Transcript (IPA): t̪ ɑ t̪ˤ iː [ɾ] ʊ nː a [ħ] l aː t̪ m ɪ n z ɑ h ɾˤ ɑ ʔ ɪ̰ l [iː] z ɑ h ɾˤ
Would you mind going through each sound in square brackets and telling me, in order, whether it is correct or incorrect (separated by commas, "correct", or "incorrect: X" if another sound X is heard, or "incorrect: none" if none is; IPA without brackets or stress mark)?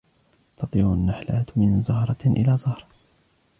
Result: correct, correct, incorrect: aː